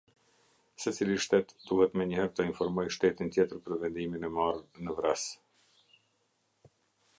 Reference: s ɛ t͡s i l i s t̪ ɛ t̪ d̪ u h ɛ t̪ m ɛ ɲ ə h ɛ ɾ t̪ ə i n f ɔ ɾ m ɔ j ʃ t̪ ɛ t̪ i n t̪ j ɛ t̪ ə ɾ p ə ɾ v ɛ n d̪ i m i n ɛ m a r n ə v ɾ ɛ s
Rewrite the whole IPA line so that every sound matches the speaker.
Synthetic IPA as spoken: s ɛ t͡s i l i ʃ t̪ ɛ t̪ d̪ u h ɛ t̪ m ɛ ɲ ə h ɛ ɾ t̪ ə i n f ɔ ɾ m ɔ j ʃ t̪ ɛ t̪ i n t̪ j ɛ t̪ ə ɾ p ə ɾ v ɛ n d̪ i m i n ɛ m a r n ə v ɾ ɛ s